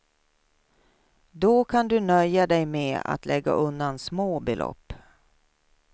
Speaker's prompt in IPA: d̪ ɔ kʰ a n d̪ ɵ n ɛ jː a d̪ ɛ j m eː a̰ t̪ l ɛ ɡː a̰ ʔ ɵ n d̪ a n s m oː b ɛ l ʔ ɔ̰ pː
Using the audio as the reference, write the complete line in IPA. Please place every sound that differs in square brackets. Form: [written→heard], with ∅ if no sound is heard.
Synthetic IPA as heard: d̪ ɔ kʰ a n d̪ ɵ n [ɛ→œ] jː a d̪ ɛ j m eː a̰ t̪ l ɛ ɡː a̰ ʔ ɵ n d̪ a n s m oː b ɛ l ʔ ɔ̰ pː